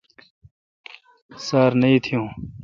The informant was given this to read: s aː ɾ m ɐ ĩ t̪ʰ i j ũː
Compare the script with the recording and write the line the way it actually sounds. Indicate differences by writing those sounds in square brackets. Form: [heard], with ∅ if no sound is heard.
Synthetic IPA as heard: s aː ɾ [n] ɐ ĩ t̪ʰ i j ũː

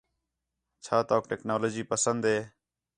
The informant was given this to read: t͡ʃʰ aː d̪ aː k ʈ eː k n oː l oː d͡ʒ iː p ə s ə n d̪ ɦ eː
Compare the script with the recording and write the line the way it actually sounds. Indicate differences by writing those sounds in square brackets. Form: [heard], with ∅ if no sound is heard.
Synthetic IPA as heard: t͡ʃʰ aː [t̪] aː k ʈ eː k n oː l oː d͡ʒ iː p ə s ə n d̪ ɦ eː

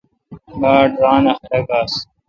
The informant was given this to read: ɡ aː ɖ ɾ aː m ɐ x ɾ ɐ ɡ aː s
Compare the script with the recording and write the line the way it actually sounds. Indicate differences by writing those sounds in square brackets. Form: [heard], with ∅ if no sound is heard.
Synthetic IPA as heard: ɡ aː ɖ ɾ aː [n] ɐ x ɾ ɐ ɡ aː s

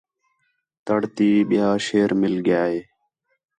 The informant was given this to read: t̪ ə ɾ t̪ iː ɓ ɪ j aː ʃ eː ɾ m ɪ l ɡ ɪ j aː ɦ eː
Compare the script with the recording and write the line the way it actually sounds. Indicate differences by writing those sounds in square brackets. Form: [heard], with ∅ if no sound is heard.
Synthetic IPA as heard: t̪ ə [ɽ] t̪ iː ɓ ɪ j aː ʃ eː ɾ m ɪ l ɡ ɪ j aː ɦ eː

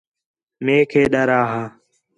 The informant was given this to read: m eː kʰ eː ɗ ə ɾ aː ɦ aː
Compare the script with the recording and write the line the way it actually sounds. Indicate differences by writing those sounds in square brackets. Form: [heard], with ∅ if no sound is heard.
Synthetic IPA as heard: m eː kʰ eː ɗ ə ɾ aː ɦ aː

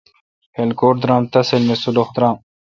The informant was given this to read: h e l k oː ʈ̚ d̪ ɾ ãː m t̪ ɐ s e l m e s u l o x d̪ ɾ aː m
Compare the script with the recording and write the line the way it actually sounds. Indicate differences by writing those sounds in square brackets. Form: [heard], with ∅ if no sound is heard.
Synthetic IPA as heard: h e l k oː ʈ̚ d̪ ɾ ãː m t̪ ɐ s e l m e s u l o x d̪ ɾ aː m

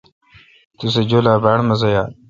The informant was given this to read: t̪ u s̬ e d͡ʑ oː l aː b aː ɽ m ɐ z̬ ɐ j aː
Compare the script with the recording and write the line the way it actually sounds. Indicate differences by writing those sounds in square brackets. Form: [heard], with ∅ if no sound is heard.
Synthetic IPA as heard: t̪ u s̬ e d͡ʑ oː l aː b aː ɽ m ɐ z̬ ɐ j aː

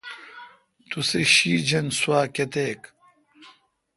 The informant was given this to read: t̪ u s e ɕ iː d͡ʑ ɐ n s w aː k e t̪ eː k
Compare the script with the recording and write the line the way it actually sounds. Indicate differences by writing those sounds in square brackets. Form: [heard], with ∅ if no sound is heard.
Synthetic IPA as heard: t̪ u s e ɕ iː d͡ʑ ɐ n s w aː k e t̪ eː k

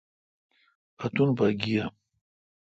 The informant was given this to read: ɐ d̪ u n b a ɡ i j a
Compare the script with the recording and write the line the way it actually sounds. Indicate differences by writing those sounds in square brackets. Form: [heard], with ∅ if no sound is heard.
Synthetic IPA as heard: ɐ [t̪] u n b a ɡ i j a

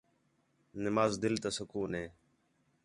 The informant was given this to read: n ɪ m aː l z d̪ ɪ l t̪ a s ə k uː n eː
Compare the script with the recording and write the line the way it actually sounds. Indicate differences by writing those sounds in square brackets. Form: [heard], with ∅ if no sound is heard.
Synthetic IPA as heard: n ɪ m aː [∅] z d̪ ɪ l t̪ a s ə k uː n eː

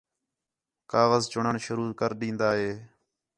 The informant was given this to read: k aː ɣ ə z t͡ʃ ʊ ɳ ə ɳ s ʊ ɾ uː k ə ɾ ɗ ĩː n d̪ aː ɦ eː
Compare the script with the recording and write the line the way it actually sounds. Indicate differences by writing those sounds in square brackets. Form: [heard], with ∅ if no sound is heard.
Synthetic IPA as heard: k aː ɣ ə z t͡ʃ ʊ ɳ ə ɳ [ʃ] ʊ ɾ uː k ə ɾ ɗ ĩː n d̪ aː ɦ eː

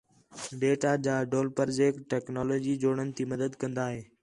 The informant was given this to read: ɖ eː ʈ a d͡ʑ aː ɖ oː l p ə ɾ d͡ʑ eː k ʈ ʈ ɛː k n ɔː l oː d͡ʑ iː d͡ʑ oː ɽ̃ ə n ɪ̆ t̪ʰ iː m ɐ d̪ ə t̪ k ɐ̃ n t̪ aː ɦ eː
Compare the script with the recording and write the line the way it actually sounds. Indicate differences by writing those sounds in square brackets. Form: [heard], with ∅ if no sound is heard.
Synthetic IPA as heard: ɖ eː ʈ a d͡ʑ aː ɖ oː l p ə ɾ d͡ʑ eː k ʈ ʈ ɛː k n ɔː l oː d͡ʑ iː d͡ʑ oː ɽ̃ ə n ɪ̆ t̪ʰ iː m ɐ d̪ ə [d̪] k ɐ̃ n [d̪] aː ɦ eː

